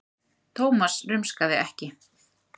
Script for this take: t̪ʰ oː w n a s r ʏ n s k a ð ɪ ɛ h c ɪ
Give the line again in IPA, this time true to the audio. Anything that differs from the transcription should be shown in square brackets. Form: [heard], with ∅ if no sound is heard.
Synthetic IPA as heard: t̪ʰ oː w [m] a s r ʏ [m] s k a ð ɪ ɛ h c ɪ